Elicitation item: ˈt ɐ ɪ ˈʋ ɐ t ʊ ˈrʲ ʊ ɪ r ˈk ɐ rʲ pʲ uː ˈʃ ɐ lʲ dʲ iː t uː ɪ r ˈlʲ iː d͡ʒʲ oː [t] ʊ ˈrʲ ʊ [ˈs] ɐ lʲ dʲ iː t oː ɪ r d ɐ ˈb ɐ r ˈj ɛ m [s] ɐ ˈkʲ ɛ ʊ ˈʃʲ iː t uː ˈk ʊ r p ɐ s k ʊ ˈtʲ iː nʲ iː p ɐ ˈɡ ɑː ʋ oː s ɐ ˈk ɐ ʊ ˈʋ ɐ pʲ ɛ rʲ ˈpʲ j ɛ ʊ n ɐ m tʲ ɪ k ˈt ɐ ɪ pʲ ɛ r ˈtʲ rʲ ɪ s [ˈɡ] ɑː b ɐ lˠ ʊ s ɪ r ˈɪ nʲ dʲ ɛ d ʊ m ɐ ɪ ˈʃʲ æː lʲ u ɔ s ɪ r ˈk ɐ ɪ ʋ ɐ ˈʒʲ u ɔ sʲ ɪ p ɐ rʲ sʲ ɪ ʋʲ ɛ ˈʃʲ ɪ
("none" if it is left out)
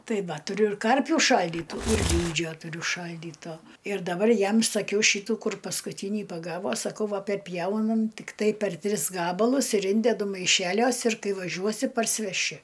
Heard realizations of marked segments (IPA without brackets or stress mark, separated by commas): t, ʃ, s, ɡ